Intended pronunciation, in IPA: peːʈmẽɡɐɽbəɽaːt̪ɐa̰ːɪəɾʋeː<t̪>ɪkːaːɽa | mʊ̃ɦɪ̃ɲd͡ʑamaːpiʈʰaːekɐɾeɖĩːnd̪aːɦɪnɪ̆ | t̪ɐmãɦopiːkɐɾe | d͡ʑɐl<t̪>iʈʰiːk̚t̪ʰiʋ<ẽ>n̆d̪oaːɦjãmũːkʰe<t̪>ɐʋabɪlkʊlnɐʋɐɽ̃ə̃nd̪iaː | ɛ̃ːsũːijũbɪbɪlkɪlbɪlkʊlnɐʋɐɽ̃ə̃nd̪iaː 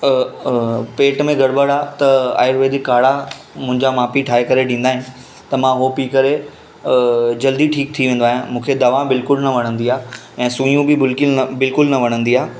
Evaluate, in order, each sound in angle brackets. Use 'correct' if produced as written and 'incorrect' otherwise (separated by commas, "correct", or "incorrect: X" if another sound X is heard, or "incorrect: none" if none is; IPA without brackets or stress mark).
incorrect: d̪, incorrect: d̪, incorrect: ẽː, incorrect: d̪